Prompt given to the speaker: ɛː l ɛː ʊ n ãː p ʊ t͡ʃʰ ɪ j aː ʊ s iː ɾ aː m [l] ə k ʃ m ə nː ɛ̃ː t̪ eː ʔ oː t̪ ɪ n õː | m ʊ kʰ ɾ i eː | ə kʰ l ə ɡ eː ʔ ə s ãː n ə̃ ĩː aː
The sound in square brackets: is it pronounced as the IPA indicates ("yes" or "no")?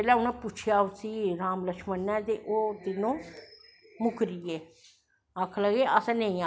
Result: yes